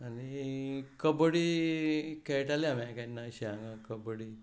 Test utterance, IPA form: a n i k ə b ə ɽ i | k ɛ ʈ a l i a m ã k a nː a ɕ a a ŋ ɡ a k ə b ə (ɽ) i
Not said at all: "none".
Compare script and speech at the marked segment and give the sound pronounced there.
ɽ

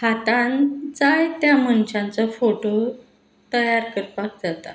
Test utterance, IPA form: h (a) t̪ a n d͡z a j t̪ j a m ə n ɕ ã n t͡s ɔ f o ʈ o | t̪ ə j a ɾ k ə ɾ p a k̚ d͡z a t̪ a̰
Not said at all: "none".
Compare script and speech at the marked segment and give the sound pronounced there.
a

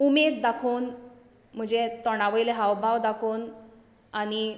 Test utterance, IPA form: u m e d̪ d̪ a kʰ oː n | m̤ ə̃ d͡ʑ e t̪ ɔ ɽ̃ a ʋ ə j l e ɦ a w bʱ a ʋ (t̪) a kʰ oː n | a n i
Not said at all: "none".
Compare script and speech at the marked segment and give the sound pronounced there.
d̪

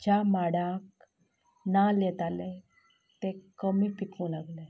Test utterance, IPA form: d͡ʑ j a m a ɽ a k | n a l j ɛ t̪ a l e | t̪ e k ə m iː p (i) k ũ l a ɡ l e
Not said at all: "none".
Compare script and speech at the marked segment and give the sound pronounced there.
i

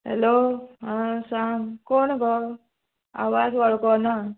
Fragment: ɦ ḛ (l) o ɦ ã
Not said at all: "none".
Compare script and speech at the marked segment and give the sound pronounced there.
l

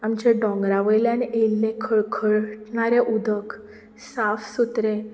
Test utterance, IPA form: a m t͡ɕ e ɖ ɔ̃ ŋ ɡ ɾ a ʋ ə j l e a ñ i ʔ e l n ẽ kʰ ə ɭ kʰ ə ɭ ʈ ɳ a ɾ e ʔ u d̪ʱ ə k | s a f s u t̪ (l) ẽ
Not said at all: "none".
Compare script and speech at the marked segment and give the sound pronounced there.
ɾ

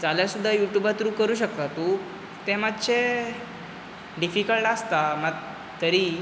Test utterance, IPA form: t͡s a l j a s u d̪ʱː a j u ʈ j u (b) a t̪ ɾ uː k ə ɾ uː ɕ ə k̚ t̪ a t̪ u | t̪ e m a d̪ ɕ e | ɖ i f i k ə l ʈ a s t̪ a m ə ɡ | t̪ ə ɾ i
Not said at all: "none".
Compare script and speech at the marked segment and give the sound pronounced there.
b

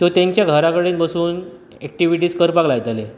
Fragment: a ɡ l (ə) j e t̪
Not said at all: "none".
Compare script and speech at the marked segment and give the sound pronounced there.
a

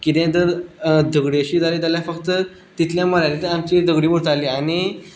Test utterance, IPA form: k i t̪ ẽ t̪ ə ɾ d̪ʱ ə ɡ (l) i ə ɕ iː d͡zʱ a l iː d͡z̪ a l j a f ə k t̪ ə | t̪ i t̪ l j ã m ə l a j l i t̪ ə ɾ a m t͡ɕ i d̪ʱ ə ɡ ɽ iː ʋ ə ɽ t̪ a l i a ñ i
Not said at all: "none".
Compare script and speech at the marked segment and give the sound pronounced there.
ɽ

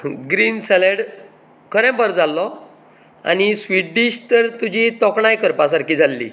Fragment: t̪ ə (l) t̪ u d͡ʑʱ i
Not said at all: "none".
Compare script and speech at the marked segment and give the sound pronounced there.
ɾ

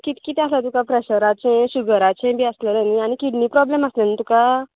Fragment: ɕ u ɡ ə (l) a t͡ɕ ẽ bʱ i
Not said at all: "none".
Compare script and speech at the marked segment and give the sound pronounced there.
ɾ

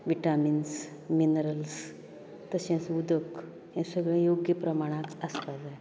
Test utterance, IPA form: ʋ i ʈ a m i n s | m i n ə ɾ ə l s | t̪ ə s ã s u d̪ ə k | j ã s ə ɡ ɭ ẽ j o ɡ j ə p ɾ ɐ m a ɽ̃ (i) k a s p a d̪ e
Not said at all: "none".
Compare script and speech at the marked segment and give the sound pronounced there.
a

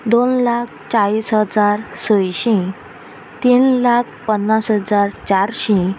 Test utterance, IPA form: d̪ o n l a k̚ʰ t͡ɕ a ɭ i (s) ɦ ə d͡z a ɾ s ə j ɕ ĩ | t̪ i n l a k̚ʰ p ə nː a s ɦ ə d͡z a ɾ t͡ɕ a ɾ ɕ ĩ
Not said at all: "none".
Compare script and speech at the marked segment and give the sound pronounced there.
s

